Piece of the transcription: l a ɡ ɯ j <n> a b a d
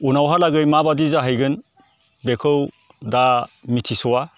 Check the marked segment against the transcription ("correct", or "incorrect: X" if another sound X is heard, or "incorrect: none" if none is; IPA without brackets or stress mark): incorrect: m